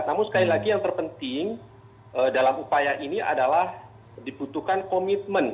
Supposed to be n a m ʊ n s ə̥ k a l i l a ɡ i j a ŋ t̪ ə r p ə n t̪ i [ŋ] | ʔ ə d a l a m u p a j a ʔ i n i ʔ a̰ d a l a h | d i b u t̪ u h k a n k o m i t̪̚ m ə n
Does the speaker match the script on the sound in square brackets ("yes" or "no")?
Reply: yes